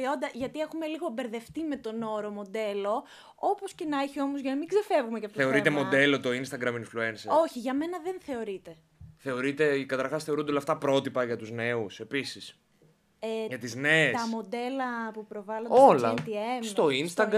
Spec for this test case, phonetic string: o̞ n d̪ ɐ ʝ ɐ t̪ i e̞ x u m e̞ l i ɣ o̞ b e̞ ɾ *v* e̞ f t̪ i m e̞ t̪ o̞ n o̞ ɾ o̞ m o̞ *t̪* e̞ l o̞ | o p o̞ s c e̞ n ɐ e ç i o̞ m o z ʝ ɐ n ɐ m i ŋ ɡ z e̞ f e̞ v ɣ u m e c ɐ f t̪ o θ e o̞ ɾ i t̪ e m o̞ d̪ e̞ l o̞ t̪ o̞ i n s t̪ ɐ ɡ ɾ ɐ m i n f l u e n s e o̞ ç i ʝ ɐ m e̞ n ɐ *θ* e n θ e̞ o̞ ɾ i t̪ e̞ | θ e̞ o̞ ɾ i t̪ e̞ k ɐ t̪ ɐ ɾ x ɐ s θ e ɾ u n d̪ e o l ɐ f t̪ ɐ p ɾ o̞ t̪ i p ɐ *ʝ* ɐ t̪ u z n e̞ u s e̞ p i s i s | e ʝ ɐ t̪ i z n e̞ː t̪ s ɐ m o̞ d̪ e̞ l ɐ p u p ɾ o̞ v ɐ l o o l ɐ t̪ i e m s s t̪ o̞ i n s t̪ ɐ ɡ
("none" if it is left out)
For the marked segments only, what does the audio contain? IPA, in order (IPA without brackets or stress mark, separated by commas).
ð, d̪, ð, ʝ